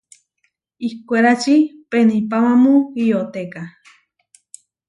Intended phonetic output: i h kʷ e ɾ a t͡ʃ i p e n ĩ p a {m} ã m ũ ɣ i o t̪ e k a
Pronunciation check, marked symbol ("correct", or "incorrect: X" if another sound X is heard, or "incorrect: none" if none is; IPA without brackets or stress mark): correct